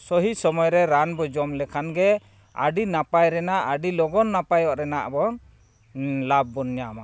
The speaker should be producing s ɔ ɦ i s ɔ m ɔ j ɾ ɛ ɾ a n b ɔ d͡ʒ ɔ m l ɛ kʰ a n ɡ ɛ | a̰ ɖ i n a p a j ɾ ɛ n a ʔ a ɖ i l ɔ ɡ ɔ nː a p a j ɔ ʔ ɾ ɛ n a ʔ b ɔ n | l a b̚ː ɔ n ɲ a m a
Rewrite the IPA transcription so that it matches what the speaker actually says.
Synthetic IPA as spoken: s ɔ ɦ i s ɔ m ɔ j ɾ ɛ ɾ a n b ɔ d͡ʒ ɔ m l ɛ kʰ a n ɡ ɛ | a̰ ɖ i n a p a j ɾ ɛ n a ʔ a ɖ i l ɔ ɡ ɔ nː a p a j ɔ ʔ ɾ ɛ n a ʔ b ɔ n | l a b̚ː ɔ n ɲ a m a